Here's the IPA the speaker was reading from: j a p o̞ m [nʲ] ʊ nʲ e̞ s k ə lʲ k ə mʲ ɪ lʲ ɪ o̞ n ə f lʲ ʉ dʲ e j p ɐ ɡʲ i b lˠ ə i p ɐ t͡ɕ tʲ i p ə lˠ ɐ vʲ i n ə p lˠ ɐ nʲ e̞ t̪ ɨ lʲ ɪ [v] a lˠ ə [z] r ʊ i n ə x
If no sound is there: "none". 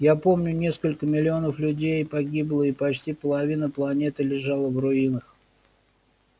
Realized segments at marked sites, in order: nʲ, ʐ, v

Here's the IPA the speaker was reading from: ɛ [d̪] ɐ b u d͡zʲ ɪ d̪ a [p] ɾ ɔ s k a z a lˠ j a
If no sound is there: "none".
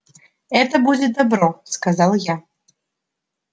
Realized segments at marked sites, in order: t̪, b

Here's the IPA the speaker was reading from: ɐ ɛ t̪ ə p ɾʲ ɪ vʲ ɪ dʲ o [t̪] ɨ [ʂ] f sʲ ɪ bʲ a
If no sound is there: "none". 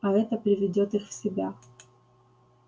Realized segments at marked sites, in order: t̪, x

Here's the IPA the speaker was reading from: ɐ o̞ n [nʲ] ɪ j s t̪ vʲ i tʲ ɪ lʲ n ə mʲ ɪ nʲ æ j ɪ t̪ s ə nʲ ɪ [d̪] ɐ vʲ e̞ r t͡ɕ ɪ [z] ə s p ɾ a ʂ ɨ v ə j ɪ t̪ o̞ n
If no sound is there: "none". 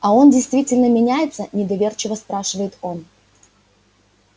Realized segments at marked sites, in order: dʲ, d̪, v

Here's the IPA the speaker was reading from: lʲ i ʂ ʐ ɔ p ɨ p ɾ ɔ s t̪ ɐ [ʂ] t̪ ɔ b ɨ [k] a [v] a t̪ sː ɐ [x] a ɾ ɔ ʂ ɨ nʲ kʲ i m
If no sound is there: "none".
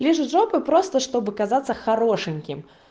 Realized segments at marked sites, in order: ʂ, k, z, x

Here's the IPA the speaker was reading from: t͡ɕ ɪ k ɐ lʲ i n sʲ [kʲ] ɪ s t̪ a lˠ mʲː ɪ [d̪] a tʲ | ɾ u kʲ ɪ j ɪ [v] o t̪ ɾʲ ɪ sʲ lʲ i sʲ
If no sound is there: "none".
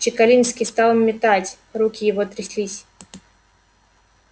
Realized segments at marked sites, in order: kʲ, t̪, v

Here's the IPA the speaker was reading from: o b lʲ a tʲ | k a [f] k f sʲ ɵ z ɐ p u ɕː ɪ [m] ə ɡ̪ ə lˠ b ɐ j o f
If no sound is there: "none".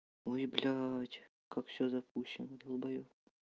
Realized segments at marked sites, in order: none, n

